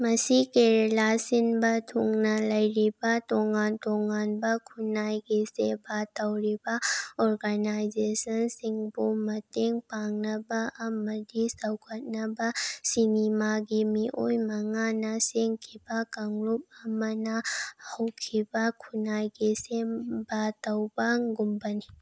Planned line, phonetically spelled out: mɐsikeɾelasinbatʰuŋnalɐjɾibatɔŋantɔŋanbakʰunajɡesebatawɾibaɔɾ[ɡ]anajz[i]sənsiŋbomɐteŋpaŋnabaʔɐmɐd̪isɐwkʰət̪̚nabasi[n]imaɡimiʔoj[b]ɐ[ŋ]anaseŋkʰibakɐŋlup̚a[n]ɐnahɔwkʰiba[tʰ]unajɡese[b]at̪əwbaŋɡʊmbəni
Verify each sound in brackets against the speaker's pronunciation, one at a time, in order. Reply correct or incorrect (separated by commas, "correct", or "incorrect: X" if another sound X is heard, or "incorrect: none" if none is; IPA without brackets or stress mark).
correct, incorrect: e, correct, incorrect: m, correct, incorrect: m, incorrect: kʰ, correct